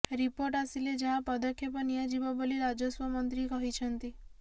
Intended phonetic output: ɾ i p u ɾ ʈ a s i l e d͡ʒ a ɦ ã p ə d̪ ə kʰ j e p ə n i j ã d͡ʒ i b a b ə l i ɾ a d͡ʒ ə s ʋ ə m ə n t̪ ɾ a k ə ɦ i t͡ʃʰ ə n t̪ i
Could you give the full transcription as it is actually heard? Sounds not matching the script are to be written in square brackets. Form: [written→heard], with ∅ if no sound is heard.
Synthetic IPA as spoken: ɾ i p [u→o] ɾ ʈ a s i l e d͡ʒ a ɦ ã p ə d̪ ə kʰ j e p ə n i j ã d͡ʒ i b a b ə l i ɾ a d͡ʒ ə s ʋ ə m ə n t̪ ɾ [a→i] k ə ɦ i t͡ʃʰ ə n t̪ i